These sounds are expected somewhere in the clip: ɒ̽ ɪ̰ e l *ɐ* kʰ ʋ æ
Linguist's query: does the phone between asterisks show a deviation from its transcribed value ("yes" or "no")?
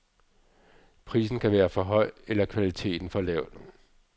no